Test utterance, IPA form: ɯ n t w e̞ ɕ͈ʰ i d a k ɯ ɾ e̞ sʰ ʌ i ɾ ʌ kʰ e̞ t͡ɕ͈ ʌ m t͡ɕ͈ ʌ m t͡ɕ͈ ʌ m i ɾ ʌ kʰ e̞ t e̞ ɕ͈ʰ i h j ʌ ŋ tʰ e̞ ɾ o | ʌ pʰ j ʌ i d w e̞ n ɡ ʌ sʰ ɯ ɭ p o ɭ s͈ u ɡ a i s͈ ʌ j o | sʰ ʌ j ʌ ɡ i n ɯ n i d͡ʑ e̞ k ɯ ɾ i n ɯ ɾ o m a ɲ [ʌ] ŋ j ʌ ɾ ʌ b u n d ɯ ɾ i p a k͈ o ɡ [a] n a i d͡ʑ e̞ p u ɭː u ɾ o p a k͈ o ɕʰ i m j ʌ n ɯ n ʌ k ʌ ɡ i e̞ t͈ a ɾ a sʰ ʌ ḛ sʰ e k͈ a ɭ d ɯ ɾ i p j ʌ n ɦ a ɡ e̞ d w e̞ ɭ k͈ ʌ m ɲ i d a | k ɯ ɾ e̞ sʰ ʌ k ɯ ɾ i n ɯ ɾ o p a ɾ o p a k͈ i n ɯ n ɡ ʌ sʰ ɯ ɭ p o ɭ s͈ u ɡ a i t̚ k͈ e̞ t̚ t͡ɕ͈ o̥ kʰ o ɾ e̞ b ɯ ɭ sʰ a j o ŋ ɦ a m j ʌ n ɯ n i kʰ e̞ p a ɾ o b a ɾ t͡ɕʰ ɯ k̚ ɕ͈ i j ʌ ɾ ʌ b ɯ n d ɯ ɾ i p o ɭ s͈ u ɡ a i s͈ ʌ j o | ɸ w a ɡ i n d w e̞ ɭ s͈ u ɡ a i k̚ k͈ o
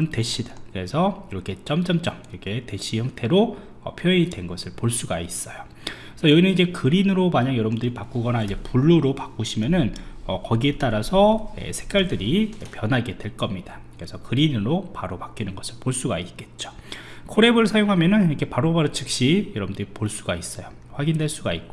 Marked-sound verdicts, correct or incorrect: incorrect: a, incorrect: ʌ

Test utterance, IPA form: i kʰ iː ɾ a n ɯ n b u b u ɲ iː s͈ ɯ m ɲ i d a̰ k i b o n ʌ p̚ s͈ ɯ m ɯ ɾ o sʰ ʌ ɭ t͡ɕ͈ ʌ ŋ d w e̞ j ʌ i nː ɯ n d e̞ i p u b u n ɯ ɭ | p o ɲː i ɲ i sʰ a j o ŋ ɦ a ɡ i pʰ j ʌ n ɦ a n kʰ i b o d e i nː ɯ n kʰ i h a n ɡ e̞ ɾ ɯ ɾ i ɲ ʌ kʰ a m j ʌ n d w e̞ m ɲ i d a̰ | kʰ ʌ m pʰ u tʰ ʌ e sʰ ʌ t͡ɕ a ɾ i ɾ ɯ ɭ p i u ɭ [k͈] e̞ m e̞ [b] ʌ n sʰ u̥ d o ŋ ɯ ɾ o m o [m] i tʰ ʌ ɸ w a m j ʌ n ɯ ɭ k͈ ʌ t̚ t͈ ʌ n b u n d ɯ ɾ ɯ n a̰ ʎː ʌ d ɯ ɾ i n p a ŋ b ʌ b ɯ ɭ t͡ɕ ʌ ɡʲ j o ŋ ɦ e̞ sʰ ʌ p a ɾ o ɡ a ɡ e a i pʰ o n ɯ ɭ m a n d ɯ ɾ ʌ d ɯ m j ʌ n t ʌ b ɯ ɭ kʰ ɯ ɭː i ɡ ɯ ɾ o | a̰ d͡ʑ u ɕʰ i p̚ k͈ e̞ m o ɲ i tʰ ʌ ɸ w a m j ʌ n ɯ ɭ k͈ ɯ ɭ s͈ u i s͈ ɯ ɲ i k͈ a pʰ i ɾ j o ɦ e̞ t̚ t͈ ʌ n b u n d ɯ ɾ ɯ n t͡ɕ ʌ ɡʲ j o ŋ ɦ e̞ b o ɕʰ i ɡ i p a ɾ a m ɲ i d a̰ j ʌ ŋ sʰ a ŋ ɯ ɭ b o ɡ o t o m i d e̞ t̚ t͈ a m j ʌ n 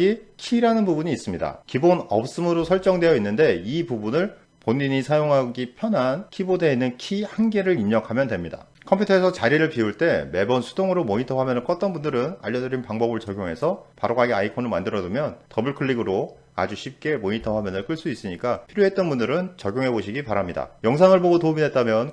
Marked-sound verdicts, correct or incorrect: incorrect: t͈, correct, incorrect: ɲ

